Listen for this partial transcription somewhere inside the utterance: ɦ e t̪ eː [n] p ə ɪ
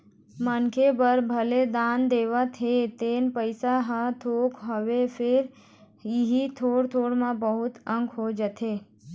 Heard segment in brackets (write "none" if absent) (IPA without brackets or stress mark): n